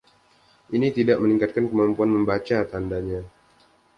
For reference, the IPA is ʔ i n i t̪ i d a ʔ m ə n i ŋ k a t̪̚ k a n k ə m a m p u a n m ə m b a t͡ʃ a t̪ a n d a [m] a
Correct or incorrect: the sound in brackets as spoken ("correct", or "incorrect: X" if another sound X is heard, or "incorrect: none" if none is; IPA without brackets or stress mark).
incorrect: ɲ